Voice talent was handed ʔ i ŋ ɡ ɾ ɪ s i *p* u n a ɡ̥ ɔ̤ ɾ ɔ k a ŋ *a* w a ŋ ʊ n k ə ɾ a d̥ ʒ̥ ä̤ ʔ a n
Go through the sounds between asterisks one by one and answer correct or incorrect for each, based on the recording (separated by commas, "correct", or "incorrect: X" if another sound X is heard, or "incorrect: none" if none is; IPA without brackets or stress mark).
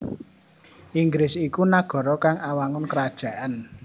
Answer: incorrect: k, correct